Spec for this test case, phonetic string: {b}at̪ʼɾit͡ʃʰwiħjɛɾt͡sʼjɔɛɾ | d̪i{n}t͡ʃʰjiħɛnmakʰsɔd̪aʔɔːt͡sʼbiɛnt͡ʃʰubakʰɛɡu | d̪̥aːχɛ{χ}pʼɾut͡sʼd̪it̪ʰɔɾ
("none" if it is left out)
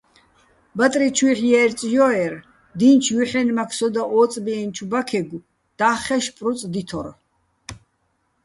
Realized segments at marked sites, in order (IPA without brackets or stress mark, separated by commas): b, n, ʃ